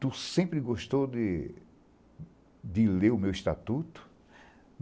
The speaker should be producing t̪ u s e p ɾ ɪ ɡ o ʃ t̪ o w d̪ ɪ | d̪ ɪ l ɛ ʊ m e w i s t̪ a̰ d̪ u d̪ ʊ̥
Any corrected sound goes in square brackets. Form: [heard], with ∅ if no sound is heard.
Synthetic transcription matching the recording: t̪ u s [ẽ] p ɾ ɪ ɡ o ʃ t̪ o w d̪ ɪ | d̪ ɪ l [e] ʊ m e w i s t̪ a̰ [t̪] u [t̪] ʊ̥